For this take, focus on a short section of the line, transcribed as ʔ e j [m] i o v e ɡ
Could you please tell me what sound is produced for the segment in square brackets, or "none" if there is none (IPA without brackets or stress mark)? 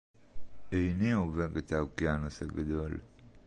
n